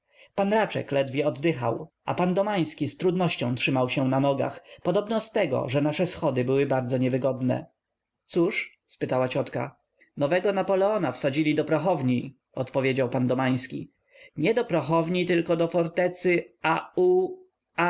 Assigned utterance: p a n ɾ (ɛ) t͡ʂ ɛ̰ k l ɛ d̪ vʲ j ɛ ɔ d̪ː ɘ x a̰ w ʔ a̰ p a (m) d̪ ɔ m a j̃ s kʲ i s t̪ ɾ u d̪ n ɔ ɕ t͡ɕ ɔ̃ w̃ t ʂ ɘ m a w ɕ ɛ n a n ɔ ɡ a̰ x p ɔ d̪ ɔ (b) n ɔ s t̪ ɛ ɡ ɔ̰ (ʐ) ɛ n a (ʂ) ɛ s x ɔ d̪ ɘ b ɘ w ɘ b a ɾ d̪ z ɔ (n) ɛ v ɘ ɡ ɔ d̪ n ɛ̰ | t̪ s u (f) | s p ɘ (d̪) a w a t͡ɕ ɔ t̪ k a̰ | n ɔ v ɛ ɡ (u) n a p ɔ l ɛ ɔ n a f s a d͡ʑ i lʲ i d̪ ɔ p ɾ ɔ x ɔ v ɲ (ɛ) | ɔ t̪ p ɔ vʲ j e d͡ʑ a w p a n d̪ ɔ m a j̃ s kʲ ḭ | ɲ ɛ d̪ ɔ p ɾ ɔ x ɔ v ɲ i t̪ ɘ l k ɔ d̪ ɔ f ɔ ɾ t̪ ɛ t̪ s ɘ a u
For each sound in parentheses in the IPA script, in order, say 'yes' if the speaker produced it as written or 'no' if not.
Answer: no, no, yes, yes, yes, no, no, no, no, no

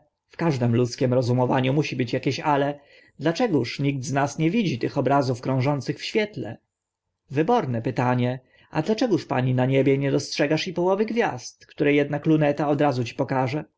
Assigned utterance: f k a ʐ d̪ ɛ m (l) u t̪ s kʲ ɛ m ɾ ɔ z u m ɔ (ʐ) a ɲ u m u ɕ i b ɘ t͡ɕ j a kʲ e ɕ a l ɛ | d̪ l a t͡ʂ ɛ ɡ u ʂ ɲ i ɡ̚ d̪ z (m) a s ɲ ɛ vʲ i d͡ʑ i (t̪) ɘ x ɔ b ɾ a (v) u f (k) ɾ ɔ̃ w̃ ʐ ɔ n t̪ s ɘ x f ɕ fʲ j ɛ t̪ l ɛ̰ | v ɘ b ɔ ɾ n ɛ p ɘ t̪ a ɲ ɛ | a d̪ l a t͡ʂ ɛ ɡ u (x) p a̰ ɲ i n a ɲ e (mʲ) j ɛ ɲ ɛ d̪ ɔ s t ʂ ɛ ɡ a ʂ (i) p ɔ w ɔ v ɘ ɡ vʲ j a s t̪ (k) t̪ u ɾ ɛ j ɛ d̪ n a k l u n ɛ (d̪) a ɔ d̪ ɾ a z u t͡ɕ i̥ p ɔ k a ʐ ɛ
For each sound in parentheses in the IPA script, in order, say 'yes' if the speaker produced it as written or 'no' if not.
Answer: yes, no, no, yes, no, yes, no, no, yes, yes, no

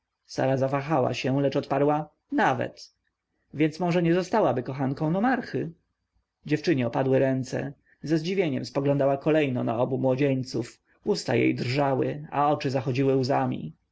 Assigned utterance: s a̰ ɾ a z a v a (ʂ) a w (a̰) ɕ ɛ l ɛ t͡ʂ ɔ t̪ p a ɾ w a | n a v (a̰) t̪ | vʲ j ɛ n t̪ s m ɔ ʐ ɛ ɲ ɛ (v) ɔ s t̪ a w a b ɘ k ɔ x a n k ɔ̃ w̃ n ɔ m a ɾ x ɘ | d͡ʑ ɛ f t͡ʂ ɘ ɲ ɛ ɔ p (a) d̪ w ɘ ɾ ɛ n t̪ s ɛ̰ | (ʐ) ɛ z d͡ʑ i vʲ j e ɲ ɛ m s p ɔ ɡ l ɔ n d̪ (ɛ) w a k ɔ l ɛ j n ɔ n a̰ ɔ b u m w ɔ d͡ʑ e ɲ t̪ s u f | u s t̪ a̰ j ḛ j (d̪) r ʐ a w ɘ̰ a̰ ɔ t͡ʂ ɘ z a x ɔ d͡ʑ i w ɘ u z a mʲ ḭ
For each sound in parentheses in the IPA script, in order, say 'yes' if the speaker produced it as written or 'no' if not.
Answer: no, yes, no, no, yes, no, no, yes

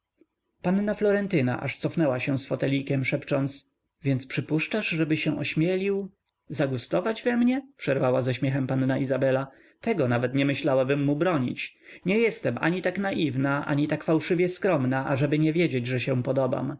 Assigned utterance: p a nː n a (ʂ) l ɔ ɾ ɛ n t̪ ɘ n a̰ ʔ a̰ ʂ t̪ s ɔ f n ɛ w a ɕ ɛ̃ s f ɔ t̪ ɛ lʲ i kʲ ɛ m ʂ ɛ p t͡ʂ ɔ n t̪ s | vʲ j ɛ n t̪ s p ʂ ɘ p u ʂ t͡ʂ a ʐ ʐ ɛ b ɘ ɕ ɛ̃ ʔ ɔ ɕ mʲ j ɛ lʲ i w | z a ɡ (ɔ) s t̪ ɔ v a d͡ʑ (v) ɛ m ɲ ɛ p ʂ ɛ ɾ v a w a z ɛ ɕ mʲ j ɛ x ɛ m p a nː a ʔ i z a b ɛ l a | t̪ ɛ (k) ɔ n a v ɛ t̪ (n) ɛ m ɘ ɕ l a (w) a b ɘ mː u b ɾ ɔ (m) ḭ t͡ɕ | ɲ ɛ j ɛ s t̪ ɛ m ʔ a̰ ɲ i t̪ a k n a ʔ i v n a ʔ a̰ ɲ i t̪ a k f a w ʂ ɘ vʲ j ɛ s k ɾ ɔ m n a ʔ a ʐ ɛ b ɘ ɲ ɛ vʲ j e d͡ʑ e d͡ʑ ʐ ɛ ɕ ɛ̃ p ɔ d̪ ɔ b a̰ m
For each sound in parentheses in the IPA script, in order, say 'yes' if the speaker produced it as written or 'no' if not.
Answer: no, no, yes, no, no, yes, no

